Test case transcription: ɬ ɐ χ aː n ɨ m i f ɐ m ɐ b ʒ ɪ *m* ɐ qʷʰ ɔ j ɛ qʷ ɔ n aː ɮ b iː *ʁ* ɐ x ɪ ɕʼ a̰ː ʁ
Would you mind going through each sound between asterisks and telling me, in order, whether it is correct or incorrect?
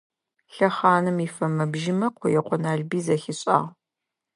correct, incorrect

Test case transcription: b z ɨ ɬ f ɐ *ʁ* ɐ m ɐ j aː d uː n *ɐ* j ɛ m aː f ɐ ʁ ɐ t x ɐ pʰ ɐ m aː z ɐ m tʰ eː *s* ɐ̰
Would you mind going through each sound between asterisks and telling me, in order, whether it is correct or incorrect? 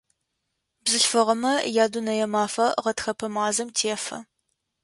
correct, correct, incorrect

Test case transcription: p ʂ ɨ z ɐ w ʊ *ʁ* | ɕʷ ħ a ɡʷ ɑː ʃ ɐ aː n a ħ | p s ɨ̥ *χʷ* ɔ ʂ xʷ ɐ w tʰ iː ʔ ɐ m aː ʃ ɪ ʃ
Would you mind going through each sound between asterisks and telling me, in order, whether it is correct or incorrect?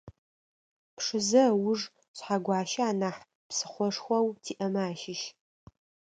incorrect, correct

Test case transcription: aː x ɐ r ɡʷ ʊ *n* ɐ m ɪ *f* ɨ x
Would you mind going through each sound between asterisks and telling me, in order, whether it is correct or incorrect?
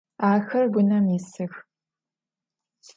correct, incorrect

